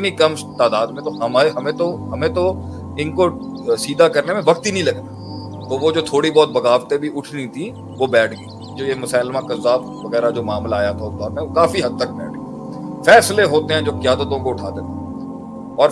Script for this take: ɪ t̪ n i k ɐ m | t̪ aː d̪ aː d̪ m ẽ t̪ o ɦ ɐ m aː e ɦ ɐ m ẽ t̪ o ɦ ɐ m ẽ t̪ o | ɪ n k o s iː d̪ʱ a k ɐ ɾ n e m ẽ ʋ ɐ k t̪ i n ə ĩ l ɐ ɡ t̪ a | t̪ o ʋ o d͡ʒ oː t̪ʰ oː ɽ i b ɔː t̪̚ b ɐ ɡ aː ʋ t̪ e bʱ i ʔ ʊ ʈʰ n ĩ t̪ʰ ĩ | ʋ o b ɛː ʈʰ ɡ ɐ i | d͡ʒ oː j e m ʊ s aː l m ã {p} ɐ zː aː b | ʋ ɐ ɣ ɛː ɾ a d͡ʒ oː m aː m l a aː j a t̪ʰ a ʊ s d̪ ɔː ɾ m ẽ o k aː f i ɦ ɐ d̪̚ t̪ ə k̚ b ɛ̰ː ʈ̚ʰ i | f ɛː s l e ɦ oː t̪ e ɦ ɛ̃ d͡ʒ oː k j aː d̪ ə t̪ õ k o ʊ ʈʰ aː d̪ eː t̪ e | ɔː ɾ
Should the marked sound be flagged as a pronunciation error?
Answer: yes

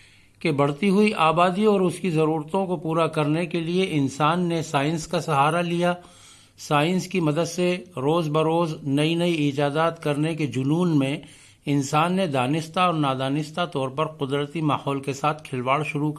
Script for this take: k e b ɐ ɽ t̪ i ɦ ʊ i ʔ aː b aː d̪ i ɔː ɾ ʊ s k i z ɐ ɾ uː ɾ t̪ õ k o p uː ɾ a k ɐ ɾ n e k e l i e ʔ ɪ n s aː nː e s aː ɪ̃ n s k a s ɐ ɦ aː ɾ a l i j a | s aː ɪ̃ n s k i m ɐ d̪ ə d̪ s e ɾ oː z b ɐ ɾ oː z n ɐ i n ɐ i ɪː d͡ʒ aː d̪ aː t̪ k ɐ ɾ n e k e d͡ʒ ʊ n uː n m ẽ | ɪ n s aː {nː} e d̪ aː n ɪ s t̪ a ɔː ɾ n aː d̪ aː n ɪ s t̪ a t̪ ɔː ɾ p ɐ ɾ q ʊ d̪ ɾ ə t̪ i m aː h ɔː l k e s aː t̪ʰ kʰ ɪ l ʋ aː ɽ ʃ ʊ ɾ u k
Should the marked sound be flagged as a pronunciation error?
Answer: no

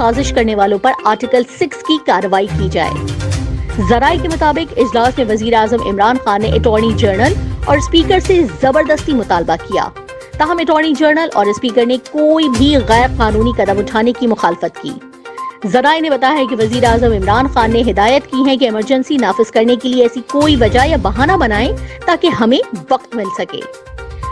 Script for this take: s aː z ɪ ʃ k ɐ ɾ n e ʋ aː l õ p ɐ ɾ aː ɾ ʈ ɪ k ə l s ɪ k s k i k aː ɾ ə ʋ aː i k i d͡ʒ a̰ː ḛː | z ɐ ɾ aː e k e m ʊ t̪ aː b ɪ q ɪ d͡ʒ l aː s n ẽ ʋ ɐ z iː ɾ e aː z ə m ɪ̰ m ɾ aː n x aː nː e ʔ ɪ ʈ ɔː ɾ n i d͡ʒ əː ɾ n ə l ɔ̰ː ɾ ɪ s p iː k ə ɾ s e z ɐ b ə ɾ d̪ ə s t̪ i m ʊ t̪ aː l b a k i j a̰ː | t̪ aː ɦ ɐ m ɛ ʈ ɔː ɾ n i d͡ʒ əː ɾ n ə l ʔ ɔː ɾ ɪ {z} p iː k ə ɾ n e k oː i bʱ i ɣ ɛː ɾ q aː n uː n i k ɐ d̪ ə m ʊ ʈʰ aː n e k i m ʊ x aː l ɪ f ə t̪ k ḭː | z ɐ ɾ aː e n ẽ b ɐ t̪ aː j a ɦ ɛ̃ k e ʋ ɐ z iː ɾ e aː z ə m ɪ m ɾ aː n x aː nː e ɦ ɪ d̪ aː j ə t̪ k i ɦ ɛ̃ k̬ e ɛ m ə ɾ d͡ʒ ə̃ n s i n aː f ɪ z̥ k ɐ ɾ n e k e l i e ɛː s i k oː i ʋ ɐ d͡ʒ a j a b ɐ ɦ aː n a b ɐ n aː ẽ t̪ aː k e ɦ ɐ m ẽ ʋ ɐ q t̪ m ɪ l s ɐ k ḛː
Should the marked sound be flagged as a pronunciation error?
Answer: yes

